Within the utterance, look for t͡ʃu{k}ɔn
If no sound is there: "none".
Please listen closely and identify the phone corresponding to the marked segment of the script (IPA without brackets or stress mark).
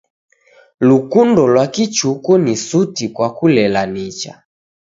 k